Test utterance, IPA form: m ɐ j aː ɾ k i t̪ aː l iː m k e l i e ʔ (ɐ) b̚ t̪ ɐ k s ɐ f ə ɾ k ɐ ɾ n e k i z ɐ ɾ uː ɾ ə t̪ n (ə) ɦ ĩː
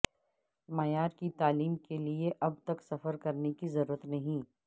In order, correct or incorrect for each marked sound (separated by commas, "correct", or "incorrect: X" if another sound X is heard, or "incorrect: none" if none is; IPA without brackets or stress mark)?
correct, incorrect: ɐ